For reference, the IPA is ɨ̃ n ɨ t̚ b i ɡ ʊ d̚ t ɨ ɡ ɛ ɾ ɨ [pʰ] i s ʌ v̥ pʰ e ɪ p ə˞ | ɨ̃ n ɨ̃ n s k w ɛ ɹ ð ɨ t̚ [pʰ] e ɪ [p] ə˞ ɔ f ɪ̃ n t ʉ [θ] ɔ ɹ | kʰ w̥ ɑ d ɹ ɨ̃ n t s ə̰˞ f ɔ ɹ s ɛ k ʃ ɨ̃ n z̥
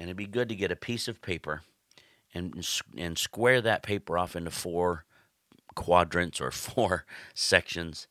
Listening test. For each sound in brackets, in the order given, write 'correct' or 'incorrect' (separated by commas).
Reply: correct, correct, correct, incorrect